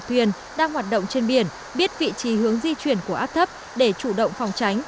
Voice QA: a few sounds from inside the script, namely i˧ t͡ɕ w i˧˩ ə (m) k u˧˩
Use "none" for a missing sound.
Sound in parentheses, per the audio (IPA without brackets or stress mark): n